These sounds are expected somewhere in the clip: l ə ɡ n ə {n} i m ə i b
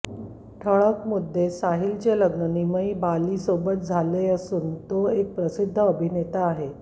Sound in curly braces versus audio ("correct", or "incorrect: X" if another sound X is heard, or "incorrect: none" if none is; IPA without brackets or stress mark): correct